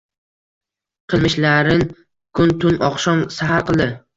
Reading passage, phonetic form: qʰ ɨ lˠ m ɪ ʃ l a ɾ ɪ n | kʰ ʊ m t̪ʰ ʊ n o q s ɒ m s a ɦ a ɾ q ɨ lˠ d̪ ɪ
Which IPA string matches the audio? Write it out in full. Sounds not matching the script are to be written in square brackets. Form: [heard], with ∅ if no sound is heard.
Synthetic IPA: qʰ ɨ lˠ m ɪ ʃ l a ɾ ɪ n | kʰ ʊ [n] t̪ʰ ʊ n [ɒ] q [ʃ] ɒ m s a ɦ a ɾ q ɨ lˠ d̪ ɪ

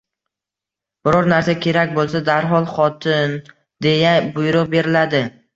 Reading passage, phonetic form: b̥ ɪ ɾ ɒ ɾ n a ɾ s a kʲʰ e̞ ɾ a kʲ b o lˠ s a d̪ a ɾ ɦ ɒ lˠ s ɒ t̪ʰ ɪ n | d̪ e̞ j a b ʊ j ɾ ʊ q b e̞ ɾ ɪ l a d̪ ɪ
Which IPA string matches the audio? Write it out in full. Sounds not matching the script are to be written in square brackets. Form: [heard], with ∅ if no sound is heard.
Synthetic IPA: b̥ ɪ ɾ ɒ ɾ n a ɾ s a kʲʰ e̞ ɾ a kʲ b o lˠ s a d̪ a ɾ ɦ ɒ lˠ [χ] ɒ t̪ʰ ɪ n | d̪ e̞ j a b ʊ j ɾ ʊ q b e̞ ɾ ɪ l a d̪ ɪ

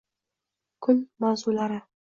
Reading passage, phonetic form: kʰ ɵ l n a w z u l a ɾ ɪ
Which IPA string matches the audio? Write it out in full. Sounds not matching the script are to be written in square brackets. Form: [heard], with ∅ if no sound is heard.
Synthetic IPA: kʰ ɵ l [m] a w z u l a ɾ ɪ

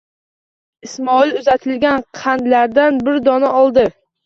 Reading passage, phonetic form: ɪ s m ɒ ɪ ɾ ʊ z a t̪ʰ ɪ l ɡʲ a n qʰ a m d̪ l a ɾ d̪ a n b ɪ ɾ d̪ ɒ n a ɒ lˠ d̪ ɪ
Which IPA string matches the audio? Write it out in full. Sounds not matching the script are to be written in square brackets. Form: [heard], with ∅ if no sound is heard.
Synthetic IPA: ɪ s m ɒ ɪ [l] ʊ z a t̪ʰ ɪ l ɡʲ a n qʰ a [n] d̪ l a ɾ d̪ a n b ɪ ɾ d̪ ɒ n a ɒ lˠ d̪ ɪ

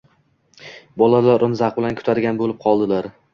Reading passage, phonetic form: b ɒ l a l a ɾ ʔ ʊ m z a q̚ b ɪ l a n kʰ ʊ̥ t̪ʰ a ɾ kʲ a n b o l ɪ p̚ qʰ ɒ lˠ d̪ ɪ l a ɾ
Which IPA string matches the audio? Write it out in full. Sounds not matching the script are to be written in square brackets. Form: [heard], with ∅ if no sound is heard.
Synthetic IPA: b ɒ l a l a ɾ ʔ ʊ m z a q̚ b ɪ l a n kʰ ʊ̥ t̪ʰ a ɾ [ɡʲ] a n b o l ɪ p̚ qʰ ɒ lˠ d̪ ɪ l a ɾ

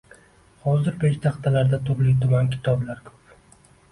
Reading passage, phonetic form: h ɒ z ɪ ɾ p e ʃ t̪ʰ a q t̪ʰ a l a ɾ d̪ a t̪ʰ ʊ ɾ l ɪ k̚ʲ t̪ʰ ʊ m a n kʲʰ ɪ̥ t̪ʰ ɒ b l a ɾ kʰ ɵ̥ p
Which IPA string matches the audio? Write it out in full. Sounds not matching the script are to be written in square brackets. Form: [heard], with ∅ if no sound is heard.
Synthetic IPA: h ɒ z ɪ ɾ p e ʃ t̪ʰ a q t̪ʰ a l a ɾ d̪ a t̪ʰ ʊ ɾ l ɪ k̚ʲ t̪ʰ ʊ m a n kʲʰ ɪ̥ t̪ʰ ɒ b l a ɾ kʰ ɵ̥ p

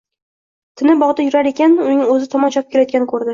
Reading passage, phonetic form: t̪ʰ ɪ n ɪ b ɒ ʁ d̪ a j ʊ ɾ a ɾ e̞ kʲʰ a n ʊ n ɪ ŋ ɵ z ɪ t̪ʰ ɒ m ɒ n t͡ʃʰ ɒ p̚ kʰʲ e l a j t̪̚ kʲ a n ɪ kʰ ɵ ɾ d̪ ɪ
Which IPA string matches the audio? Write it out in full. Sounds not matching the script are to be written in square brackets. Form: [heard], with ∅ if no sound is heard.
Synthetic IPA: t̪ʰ ɪ n ɪ b ɒ ʁ d̪ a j ʊ ɾ a ɾ e̞ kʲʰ a n ʊ n ɪ ŋ ɵ z ɪ t̪ʰ ɒ m ɒ n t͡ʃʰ ɒ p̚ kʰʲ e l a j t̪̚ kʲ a n ɪ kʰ ɵ ɾ d̪ ɪ

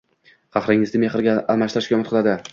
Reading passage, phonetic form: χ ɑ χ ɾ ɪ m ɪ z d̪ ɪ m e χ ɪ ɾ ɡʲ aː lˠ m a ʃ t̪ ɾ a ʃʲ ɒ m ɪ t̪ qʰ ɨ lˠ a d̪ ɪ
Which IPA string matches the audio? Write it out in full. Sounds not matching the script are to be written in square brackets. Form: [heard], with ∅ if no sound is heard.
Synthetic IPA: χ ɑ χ ɾ ɪ [ŋ] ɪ z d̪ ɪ m e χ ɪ ɾ ɡʲ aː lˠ m a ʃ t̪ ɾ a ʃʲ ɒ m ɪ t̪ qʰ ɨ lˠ a d̪ ɪ

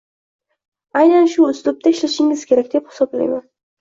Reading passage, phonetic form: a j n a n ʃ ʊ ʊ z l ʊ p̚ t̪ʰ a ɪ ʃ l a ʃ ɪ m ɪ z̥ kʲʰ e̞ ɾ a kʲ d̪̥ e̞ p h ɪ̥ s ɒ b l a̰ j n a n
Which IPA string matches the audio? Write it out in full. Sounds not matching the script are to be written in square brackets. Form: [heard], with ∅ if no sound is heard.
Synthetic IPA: a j n a n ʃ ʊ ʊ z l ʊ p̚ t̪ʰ a ɪ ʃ l a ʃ ɪ [ŋ] ɪ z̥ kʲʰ e̞ ɾ a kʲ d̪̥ e̞ p h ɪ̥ s ɒ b l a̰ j [m] a n

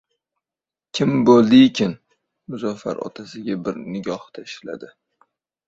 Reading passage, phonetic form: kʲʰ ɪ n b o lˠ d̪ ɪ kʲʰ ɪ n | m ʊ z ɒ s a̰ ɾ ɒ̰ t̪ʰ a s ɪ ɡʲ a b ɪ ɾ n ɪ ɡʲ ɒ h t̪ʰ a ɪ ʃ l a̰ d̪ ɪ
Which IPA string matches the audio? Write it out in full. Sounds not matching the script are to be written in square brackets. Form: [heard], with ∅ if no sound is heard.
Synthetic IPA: kʲʰ ɪ [m] b o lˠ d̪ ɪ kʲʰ ɪ n | m ʊ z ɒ [f] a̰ ɾ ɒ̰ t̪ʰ a s ɪ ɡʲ a b ɪ ɾ n ɪ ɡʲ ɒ h t̪ʰ a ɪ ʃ l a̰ d̪ ɪ

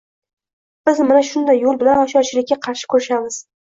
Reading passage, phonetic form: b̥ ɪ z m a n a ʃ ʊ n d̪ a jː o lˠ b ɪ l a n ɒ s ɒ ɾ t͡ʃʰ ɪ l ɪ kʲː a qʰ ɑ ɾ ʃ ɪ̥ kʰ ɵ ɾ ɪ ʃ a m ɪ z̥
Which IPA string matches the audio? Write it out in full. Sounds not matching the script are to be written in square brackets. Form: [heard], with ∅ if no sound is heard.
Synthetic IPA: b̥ ɪ z m a n a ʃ ʊ n d̪ a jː o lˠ b ɪ l a n ɒ [ʃ] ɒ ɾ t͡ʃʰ ɪ l ɪ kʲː a qʰ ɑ ɾ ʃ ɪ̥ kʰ ɵ ɾ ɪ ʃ a m ɪ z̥

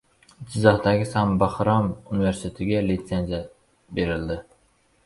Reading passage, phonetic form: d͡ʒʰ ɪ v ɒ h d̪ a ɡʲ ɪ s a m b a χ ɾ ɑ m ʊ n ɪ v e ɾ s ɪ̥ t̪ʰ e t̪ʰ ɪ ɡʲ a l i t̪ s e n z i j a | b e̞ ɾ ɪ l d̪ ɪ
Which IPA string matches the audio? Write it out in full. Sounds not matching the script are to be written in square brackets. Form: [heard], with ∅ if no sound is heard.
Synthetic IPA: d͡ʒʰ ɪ [z] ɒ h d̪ a ɡʲ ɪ s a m b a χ ɾ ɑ m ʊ n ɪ v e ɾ s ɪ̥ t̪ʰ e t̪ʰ ɪ ɡʲ a l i t̪ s e n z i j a | b e̞ ɾ ɪ l d̪ ɪ

